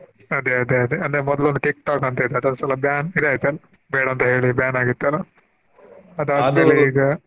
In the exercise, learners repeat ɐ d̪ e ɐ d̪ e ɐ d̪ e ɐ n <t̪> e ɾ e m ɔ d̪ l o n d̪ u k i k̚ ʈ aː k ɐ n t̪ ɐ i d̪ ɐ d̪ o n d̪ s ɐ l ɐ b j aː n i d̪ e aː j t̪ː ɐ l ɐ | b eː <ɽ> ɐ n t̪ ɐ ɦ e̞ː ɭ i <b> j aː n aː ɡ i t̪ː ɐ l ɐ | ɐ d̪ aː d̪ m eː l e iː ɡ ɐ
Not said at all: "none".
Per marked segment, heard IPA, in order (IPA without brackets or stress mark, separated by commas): d̪, ɽ, b